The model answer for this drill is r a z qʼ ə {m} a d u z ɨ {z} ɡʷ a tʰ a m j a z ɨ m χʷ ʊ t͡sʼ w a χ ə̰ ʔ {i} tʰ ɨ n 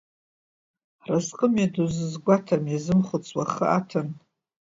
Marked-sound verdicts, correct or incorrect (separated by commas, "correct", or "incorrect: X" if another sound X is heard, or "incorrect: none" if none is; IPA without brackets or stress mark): correct, correct, incorrect: a